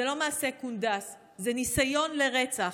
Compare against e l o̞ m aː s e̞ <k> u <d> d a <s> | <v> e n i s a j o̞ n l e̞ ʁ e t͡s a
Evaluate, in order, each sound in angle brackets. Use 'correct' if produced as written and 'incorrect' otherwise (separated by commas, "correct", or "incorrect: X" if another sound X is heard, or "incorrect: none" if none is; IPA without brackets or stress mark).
correct, incorrect: n, correct, incorrect: z